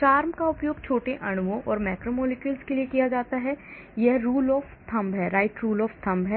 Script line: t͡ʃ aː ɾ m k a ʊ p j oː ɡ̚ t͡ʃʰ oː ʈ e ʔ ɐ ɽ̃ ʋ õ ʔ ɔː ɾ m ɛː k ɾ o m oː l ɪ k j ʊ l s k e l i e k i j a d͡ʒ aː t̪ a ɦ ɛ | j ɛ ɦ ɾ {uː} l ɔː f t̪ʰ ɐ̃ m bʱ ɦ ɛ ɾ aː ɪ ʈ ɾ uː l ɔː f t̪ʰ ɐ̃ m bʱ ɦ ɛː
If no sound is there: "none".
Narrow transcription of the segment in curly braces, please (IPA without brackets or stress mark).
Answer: uː